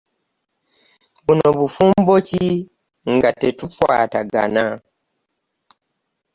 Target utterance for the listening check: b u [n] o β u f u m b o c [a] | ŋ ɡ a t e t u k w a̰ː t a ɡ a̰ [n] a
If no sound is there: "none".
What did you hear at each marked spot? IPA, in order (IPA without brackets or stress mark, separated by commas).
n, i, n